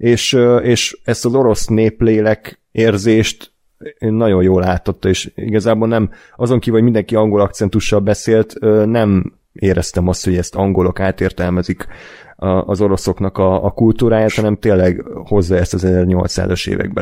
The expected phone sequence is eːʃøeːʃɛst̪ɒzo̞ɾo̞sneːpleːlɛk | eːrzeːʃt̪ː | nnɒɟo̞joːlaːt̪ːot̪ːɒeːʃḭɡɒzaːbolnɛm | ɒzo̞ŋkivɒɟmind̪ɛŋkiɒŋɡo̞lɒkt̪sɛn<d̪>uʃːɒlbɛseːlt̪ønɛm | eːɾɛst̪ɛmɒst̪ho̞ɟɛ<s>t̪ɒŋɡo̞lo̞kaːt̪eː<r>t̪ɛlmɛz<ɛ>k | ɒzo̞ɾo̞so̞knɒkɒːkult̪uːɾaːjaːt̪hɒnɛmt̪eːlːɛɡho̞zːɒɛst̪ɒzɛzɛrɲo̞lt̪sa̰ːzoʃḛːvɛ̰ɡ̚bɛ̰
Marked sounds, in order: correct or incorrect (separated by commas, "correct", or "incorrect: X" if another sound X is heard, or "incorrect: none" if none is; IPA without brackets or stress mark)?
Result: incorrect: t̪, correct, correct, incorrect: i